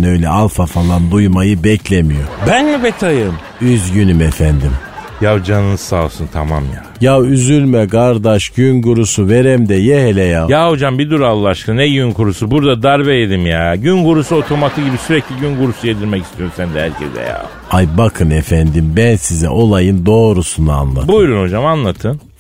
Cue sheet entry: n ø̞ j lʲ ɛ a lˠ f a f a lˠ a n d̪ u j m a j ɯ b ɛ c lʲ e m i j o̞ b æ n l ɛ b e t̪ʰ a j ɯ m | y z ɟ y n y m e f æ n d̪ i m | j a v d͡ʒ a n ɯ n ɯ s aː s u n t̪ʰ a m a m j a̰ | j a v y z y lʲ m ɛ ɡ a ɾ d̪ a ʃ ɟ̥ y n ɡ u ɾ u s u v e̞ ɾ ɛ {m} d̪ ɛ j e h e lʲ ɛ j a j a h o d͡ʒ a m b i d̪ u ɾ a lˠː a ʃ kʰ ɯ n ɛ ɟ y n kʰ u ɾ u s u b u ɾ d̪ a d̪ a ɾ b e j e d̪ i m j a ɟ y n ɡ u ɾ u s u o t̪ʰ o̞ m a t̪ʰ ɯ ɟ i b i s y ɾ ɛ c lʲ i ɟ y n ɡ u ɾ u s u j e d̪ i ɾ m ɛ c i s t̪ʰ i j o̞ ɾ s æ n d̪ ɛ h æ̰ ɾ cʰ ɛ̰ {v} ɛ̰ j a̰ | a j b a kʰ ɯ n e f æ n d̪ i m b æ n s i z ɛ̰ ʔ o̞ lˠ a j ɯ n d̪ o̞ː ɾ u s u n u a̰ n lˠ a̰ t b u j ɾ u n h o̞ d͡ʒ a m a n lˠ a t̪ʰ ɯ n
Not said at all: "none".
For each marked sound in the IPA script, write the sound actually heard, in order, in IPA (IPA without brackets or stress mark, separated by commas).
m, z